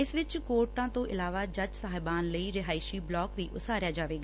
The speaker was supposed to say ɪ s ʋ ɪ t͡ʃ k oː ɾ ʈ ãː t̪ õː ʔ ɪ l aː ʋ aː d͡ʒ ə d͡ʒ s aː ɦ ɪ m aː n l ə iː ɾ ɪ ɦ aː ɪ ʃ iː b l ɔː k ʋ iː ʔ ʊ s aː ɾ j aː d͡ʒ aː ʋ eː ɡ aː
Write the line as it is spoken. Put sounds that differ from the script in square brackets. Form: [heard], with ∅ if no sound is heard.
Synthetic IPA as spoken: ɪ s ʋ ɪ t͡ʃ k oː ɾ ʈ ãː t̪ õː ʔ ɪ l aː ʋ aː d͡ʒ ə d͡ʒ s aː ɦ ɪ [b] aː n l ə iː ɾ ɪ ɦ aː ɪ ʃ iː b l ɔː k ʋ iː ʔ ʊ s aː ɾ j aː d͡ʒ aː ʋ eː ɡ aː